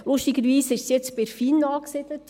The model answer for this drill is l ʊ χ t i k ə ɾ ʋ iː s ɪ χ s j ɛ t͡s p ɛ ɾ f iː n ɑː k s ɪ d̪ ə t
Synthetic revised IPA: l ʊ ʃ t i ɡ ə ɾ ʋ iː s ɪ ʃ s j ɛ t͡s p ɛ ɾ f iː n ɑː k s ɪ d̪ ə t